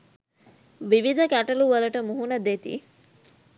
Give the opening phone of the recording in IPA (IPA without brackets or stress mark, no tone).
ʋ